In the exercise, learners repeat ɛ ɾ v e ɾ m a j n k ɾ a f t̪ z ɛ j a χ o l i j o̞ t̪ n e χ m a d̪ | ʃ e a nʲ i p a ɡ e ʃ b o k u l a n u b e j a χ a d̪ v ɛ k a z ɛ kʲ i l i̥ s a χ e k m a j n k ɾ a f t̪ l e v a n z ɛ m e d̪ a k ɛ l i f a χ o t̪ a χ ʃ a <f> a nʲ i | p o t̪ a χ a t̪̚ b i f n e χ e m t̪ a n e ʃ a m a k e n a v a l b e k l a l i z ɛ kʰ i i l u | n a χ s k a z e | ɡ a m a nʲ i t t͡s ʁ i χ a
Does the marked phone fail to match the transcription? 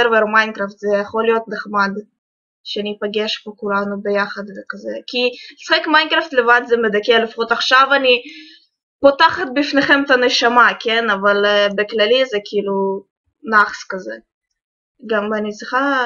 yes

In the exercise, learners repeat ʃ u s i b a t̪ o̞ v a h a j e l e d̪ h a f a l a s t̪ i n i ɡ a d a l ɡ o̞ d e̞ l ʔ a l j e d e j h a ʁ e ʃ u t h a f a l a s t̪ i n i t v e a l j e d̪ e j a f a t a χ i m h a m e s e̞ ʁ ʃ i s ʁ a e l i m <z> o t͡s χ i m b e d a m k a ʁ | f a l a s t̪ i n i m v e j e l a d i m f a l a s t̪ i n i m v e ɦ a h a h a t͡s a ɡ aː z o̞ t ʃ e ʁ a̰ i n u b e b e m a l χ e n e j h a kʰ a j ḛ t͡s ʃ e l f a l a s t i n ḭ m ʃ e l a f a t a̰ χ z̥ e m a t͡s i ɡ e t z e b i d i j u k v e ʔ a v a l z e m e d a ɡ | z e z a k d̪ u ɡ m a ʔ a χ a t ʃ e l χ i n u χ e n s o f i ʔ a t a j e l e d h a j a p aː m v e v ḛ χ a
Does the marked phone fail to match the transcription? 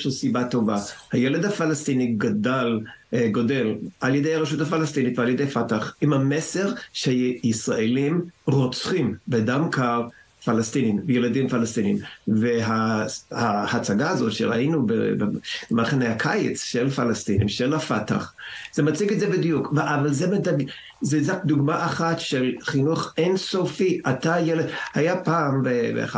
yes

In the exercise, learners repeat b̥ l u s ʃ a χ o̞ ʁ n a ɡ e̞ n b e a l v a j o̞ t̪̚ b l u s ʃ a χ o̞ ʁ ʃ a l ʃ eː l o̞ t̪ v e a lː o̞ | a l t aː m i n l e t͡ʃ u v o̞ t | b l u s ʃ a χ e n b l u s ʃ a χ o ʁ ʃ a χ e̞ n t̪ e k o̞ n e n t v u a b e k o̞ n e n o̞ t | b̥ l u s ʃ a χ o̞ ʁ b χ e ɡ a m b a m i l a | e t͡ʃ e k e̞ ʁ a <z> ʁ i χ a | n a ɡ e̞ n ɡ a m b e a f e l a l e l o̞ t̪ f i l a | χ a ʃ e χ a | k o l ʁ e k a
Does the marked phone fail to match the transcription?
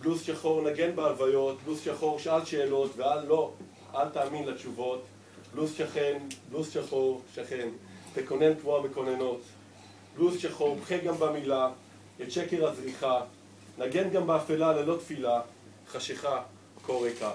no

